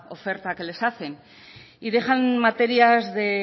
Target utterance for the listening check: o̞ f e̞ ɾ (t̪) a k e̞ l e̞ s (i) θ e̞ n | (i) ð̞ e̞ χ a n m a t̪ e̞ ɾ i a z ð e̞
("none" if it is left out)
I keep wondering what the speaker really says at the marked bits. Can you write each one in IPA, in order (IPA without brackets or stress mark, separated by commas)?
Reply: t̪, a, i